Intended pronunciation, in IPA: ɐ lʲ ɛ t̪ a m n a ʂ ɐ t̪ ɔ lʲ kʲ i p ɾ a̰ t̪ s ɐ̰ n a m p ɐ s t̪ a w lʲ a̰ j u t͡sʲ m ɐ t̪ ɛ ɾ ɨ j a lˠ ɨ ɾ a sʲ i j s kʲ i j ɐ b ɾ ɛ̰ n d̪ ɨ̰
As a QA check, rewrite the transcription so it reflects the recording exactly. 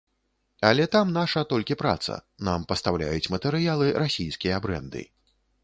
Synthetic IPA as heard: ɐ lʲ ɛ t̪ a m n a ʂ ɐ t̪ ɔ lʲ kʲ i p ɾ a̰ t̪ s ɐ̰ n a m p ɐ s t̪ a w lʲ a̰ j u t͡sʲ m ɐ t̪ ɛ ɾ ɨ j a lˠ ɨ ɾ a sʲ i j s kʲ i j ɐ b ɾ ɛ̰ n d̪ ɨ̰